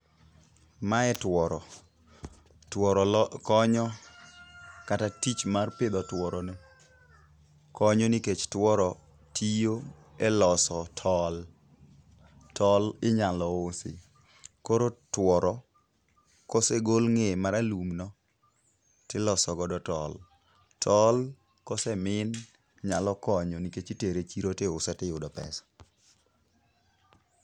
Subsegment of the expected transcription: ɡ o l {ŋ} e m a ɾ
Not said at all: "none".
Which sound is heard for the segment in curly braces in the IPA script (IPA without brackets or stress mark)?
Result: ŋ